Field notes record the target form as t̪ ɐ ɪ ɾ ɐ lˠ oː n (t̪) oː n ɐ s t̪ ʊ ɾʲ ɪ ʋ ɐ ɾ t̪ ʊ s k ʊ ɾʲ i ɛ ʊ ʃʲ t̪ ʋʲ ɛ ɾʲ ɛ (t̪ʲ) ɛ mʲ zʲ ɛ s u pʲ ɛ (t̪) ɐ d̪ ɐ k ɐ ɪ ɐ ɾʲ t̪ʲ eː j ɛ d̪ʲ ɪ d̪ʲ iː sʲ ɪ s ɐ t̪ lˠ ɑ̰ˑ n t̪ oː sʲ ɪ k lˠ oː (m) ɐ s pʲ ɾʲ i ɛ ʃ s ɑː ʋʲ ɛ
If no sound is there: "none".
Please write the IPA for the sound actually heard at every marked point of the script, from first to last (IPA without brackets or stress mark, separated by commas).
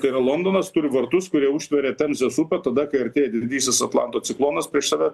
d̪, t̪ʲ, t̪, n